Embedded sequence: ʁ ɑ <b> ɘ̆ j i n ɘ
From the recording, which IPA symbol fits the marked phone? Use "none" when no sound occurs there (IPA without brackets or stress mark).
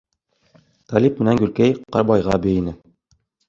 b